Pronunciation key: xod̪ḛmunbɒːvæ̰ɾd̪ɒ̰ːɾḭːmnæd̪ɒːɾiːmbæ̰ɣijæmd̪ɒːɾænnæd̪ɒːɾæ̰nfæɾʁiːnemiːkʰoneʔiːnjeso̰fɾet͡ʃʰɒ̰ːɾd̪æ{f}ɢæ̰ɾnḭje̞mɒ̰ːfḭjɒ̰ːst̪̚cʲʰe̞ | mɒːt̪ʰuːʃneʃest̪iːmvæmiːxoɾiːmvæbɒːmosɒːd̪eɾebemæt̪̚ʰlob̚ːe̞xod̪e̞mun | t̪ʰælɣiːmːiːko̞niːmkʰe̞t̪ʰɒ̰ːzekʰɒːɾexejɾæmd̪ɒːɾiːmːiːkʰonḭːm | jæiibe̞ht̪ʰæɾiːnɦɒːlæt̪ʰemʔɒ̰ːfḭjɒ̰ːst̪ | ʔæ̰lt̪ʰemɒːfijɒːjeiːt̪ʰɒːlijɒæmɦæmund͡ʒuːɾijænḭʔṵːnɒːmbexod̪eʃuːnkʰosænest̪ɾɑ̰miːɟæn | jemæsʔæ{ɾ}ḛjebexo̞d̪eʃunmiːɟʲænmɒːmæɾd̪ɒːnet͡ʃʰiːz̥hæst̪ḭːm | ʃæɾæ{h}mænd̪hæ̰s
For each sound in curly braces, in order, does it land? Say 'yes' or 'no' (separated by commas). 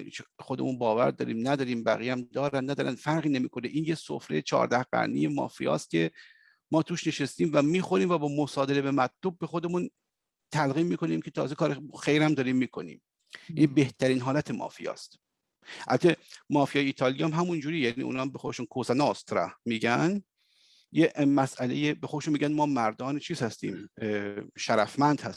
no, no, no